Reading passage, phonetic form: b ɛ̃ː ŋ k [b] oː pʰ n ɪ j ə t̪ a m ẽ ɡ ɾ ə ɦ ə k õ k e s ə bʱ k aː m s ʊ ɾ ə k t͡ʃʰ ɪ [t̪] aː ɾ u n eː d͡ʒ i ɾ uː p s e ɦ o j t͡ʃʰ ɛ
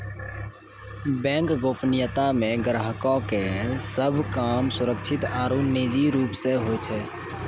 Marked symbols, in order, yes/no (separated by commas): no, yes